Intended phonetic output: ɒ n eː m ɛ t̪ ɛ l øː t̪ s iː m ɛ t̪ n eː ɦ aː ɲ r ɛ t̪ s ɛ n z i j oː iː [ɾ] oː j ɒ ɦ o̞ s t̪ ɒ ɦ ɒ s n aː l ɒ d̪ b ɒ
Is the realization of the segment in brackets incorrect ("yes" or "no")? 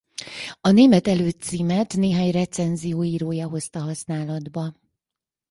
no